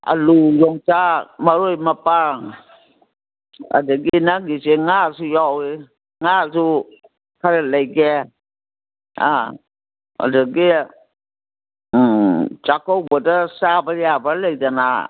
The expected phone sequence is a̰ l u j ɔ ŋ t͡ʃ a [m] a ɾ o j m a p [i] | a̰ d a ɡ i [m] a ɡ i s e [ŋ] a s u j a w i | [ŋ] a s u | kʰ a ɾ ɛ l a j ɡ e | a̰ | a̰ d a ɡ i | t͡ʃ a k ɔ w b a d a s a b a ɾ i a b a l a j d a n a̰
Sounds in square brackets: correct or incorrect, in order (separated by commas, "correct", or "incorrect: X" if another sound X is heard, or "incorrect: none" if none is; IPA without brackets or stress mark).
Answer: correct, incorrect: a, incorrect: n, correct, correct